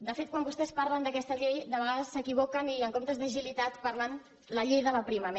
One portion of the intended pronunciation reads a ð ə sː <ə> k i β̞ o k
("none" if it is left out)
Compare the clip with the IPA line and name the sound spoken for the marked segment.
ə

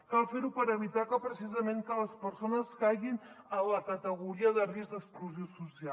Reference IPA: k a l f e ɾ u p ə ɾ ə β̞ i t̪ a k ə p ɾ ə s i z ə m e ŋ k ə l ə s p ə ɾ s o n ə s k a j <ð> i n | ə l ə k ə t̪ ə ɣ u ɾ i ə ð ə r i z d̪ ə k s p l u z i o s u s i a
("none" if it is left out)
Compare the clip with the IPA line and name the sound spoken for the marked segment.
ɣ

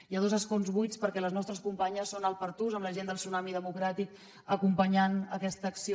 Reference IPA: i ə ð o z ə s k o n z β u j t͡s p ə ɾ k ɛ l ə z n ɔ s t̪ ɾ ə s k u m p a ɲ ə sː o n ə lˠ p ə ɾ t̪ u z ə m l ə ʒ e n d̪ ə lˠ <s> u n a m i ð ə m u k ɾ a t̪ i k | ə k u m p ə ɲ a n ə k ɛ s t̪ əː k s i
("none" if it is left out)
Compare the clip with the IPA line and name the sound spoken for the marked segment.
s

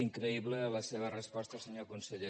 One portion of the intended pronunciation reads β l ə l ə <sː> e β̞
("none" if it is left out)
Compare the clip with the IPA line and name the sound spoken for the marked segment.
s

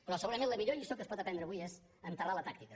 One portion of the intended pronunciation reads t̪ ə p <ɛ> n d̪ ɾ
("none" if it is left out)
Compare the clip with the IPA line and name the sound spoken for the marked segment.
ɛ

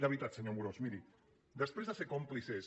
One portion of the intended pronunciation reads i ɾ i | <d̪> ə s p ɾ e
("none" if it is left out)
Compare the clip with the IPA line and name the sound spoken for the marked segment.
d̪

